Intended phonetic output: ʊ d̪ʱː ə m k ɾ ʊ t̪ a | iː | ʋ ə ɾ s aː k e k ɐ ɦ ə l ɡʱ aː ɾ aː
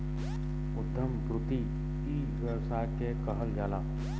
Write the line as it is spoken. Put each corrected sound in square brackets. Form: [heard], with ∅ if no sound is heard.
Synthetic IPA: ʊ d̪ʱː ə m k ɾ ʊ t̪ [i] | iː | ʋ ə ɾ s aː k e k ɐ ɦ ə l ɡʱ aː [l] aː